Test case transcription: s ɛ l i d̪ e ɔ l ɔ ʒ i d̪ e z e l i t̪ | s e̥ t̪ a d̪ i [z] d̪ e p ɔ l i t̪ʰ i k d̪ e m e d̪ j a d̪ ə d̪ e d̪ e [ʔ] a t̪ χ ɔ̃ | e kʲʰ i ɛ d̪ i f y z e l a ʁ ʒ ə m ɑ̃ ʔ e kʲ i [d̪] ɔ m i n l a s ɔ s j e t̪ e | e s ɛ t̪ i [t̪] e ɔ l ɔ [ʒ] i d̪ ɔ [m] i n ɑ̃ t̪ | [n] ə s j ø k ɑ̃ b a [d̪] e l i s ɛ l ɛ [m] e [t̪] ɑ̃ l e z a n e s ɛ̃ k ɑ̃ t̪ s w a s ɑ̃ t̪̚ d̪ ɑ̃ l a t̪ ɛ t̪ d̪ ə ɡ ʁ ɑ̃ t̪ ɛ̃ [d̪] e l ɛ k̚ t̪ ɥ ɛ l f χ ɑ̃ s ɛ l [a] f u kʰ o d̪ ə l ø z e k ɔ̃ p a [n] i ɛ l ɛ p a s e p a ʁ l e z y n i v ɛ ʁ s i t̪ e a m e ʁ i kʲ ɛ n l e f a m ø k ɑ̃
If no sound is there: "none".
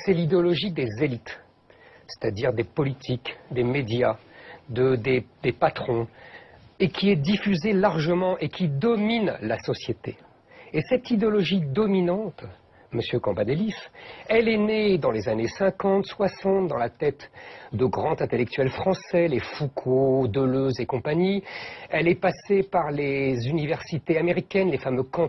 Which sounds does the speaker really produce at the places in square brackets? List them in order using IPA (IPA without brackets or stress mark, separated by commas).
ʁ, p, d̪, d̪, ʒ, m, m, d̪, n, d̪, t̪, e, ɲ